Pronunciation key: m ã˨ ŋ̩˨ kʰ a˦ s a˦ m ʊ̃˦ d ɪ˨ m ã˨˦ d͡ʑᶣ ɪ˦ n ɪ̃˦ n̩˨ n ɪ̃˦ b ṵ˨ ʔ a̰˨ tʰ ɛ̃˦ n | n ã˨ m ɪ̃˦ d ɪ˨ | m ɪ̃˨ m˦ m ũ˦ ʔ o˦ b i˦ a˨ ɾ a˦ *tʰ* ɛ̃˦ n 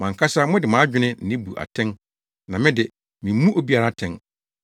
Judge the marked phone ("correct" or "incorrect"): correct